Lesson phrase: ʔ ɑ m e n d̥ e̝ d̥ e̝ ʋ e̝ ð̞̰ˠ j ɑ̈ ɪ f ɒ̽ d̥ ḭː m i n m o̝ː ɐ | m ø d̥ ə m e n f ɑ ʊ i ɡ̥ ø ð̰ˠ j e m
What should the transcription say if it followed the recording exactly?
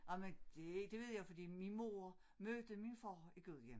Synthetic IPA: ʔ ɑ m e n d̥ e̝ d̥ e̝ ʋ e̝ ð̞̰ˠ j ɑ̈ ɪ f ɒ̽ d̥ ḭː m i n m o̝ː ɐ | m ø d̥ ə m i n f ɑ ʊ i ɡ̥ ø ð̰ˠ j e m